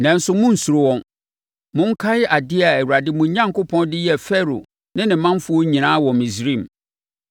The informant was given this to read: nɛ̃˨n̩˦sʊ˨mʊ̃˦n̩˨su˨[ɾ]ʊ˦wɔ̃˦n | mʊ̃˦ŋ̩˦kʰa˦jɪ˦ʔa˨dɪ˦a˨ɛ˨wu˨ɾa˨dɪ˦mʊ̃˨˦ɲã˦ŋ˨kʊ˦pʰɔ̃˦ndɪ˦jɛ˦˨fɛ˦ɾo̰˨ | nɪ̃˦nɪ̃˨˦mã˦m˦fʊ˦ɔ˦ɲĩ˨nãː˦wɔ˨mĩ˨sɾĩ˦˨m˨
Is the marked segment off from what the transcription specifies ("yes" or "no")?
no